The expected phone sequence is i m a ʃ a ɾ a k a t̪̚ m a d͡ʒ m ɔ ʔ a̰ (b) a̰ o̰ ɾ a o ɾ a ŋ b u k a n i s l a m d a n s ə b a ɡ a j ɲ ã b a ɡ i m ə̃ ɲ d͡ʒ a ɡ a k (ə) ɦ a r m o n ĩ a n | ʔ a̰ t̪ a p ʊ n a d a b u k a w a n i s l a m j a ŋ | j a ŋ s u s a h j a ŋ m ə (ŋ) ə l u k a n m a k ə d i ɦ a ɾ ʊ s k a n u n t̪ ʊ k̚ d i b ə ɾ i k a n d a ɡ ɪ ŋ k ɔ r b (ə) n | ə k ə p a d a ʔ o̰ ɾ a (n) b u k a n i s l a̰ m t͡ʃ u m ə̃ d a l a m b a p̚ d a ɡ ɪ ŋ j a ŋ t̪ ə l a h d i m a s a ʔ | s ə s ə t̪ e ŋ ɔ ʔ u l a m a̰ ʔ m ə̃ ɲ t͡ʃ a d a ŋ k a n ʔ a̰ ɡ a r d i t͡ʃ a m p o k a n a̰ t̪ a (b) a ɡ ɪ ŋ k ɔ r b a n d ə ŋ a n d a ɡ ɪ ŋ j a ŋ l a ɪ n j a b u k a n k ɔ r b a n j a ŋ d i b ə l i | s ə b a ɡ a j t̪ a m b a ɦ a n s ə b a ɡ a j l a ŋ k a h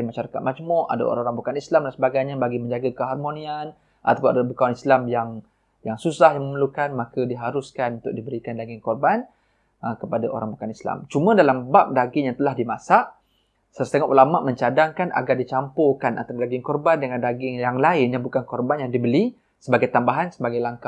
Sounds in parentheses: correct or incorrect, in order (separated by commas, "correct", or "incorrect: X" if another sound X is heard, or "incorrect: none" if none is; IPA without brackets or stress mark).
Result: incorrect: d, correct, incorrect: m, incorrect: a, incorrect: ŋ, incorrect: d